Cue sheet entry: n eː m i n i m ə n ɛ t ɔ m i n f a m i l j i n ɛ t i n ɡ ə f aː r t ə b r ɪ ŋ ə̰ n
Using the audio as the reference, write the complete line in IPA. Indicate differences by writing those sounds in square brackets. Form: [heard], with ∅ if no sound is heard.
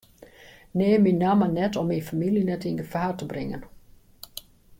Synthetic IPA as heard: n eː m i n [a] m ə n ɛ t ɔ m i n f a m i l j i n ɛ t i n ɡ ə f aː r t ə b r ɪ ŋ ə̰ n